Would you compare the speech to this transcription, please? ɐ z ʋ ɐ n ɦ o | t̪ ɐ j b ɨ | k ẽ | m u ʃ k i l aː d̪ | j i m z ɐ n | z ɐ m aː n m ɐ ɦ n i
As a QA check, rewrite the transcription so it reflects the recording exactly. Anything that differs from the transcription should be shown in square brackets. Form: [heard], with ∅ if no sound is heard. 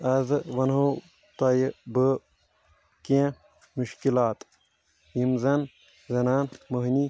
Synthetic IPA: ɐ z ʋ ɐ n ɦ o | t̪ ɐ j b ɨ | k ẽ | m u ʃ k i l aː [t̪] | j i m z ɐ n | z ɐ [n] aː n m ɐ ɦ n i